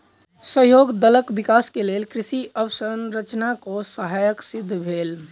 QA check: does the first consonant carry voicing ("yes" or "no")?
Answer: no